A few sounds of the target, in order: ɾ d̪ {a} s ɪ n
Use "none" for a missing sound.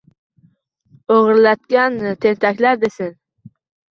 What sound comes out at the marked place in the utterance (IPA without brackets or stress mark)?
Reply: e